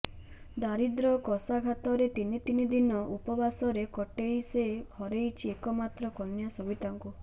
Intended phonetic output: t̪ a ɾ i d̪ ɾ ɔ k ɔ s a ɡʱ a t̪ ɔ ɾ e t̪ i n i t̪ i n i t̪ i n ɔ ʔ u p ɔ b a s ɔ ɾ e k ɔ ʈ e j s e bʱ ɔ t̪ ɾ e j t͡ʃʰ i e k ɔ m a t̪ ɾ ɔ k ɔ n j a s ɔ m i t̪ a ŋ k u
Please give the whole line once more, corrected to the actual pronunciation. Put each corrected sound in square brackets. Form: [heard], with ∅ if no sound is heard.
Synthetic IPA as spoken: [d̪] a ɾ i d̪ ɾ ɔ k ɔ s a ɡʱ a t̪ ɔ ɾ e t̪ i n i t̪ i n i [d̪] i n ɔ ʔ u p ɔ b a s ɔ ɾ e k ɔ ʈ e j s e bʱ ɔ [∅] ɾ e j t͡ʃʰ i e k ɔ m a t̪ ɾ ɔ k ɔ n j a s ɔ [b] i t̪ a ŋ k u

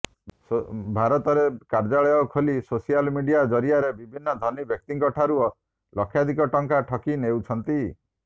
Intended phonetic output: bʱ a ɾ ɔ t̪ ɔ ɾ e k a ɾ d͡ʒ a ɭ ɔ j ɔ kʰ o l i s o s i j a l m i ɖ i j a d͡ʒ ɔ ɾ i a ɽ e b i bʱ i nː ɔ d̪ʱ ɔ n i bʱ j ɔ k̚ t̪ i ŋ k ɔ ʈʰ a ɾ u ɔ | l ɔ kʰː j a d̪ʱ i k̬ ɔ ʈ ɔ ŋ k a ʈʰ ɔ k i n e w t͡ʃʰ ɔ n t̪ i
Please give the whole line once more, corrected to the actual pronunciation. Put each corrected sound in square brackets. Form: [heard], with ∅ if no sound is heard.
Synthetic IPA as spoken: bʱ a ɾ ɔ t̪ ɔ ɾ e k a ɾ d͡ʒ a ɭ ɔ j ɔ kʰ o l i s o s i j a l m i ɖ i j a d͡ʒ ɔ ɾ i a [ɾ] e b i bʱ i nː ɔ d̪ʱ ɔ n i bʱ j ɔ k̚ t̪ i ŋ k ɔ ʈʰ a ɾ u ɔ | l ɔ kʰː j a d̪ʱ i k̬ ɔ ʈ ɔ ŋ k a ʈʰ ɔ k i n e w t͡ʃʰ ɔ n t̪ i

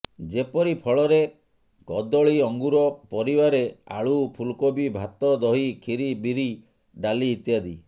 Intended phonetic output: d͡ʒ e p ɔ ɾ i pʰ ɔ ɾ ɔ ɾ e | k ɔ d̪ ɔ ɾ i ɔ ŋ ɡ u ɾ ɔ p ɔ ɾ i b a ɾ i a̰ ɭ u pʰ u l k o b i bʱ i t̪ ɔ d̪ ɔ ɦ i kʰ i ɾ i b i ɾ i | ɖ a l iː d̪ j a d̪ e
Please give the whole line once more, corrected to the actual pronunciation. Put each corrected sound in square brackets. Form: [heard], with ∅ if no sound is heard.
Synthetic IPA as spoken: d͡ʒ e p ɔ ɾ i pʰ ɔ [ɭ] ɔ ɾ e | k ɔ d̪ ɔ [ɭ] i ɔ ŋ ɡ u ɾ ɔ p ɔ ɾ i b a ɾ [e] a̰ ɭ u pʰ u l k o b i bʱ [a] t̪ ɔ d̪ ɔ ɦ i kʰ i ɾ i b i ɾ i | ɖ a l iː [t̪] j a d̪ [i]

